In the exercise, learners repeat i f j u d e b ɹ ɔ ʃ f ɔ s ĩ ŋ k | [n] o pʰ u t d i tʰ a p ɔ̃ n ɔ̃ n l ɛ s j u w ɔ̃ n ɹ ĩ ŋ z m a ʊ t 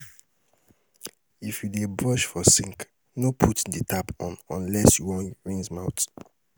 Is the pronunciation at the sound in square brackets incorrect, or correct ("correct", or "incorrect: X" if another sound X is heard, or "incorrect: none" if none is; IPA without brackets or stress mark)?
correct